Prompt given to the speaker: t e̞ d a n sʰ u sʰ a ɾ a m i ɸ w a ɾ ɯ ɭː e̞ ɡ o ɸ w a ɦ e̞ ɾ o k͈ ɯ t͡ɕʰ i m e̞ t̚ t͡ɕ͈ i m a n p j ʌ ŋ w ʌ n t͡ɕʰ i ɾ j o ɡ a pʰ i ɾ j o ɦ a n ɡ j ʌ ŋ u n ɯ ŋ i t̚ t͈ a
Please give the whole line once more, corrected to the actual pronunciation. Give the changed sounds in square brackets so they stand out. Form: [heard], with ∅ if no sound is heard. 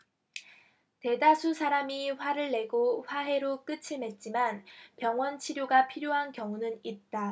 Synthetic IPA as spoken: t e̞ d a [∅] sʰ u sʰ a ɾ a m i ɸ w a ɾ ɯ ɭː e̞ ɡ o ɸ w a ɦ e̞ ɾ o k͈ ɯ t͡ɕʰ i m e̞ t̚ t͡ɕ͈ i m a n p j ʌ ŋ w ʌ n t͡ɕʰ i ɾ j o ɡ a pʰ i ɾ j o ɦ a n [k] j ʌ ŋ u n ɯ [n] i t̚ t͈ a

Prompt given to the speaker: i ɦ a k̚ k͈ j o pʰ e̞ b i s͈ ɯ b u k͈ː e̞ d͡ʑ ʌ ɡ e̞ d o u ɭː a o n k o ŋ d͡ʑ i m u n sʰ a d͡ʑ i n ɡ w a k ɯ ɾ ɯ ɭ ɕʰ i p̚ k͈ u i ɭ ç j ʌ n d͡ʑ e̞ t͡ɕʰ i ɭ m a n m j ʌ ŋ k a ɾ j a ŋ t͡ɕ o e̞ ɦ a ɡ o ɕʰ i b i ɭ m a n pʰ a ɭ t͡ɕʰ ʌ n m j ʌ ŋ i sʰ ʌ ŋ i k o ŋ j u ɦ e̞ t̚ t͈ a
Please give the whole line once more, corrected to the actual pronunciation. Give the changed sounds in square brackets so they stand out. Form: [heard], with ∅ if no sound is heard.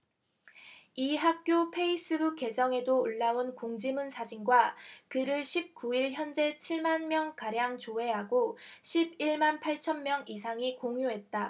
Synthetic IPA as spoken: i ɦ a k̚ k͈ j o pʰ e̞ [∅] i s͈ ɯ b u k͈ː e̞ d͡ʑ ʌ [ŋ] e̞ d o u ɭː a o n k o ŋ d͡ʑ i m u n sʰ a d͡ʑ i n ɡ w a k ɯ ɾ ɯ ɭ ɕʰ i p̚ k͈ u i ɭ ç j ʌ n d͡ʑ e̞ t͡ɕʰ i ɭ m a n m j ʌ ŋ k a ɾ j a ŋ t͡ɕ o e̞ ɦ a ɡ o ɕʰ i b i ɭ m a n pʰ a ɭ t͡ɕʰ ʌ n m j ʌ ŋ i sʰ [a] ŋ i k o ŋ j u ɦ e̞ t̚ t͈ a

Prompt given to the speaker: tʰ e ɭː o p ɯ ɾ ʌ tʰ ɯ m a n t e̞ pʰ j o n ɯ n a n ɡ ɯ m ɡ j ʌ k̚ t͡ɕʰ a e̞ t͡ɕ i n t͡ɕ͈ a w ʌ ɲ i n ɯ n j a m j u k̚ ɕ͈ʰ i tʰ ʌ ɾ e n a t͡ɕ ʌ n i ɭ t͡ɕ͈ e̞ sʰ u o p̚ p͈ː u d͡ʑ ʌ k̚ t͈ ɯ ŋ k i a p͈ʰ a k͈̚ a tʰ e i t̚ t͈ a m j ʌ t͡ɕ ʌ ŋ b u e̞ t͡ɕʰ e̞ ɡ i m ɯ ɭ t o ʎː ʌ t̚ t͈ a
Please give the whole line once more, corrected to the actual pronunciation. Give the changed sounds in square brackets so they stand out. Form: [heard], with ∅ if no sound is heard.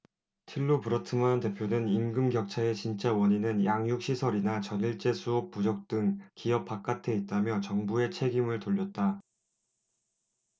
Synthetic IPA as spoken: tʰ [i] ɭː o p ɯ ɾ ʌ tʰ ɯ m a n t e̞ pʰ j o n ɯ n [i] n ɡ ɯ m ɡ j ʌ k̚ t͡ɕʰ a e̞ t͡ɕ i n t͡ɕ͈ a w ʌ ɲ i n ɯ n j a [ŋ] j u k̚ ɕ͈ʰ i [sʰ] ʌ ɾ [i] n a t͡ɕ ʌ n i ɭ t͡ɕ͈ e̞ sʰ u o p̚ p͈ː u d͡ʑ ʌ k̚ t͈ ɯ ŋ k i [ʌ] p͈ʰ a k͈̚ a tʰ e i t̚ t͈ a m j ʌ t͡ɕ ʌ ŋ b u e̞ t͡ɕʰ e̞ ɡ i m ɯ ɭ t o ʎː ʌ t̚ t͈ a

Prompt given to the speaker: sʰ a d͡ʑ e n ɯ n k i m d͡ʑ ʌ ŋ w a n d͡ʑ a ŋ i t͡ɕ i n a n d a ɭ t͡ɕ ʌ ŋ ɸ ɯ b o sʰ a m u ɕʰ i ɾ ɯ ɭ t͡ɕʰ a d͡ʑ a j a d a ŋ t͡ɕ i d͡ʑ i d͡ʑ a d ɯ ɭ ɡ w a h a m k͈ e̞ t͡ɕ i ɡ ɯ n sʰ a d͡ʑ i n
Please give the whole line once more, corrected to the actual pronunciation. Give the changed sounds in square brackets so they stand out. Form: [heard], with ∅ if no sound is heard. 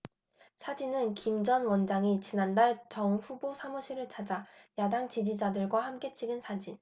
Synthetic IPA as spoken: sʰ a d͡ʑ [i] n ɯ n k i m d͡ʑ ʌ [n] w [ʌ] n d͡ʑ a ŋ i t͡ɕ i n a n d a ɭ t͡ɕ ʌ ŋ ɸ [u] b o sʰ a m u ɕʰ i ɾ ɯ ɭ t͡ɕʰ a d͡ʑ a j a d a ŋ t͡ɕ i d͡ʑ i d͡ʑ a d ɯ ɭ ɡ w a h a m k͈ e̞ [t͡ɕʰ] i ɡ ɯ n sʰ a d͡ʑ i n

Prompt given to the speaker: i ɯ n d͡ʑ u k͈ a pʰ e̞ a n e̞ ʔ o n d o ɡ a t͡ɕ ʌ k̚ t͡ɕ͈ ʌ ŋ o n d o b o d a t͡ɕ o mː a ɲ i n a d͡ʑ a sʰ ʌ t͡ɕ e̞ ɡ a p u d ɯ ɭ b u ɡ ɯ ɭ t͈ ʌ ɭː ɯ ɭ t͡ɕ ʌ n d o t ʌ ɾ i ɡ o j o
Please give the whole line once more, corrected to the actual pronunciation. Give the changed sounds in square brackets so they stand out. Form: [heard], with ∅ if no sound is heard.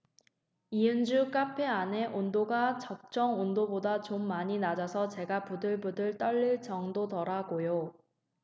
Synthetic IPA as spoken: i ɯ n d͡ʑ u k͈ a pʰ e̞ a n e̞ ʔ o n d o ɡ a t͡ɕ ʌ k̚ t͡ɕ͈ ʌ ŋ o n d o b o d a t͡ɕ o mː a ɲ i n a d͡ʑ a sʰ ʌ t͡ɕ e̞ ɡ a p u d ɯ ɭ b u [d] ɯ ɭ t͈ ʌ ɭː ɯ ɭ t͡ɕ ʌ [ŋ] d o t ʌ ɾ [a] ɡ o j o

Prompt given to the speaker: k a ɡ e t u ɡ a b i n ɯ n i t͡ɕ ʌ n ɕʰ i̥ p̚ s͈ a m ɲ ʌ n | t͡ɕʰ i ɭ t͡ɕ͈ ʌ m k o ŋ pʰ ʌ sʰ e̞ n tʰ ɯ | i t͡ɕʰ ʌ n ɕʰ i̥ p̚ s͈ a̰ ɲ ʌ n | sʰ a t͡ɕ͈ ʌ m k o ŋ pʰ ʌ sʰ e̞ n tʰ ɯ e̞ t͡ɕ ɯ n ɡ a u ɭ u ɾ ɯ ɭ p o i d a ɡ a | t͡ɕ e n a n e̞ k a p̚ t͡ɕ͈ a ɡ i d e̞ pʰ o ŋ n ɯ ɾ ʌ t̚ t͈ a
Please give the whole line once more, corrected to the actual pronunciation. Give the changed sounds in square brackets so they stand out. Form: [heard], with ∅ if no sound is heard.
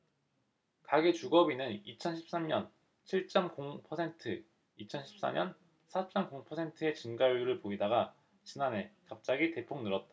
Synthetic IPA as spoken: k a ɡ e [t͡ɕ] u ɡ [ʌ] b i n ɯ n i [t͡ɕʰ] ʌ n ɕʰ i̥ p̚ s͈ a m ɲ ʌ n | t͡ɕʰ i ɭ t͡ɕ͈ ʌ m k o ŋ pʰ ʌ sʰ e̞ n tʰ ɯ | i t͡ɕʰ ʌ n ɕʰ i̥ p̚ s͈ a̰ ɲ ʌ n | sʰ a t͡ɕ͈ ʌ m k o ŋ pʰ ʌ sʰ e̞ n tʰ ɯ e̞ t͡ɕ ɯ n ɡ a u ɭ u ɾ ɯ ɭ p o i d a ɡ a | t͡ɕ [i] n a n e̞ k a p̚ t͡ɕ͈ a ɡ i [t] e̞ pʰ o ŋ n ɯ ɾ ʌ t̚ t͈ a

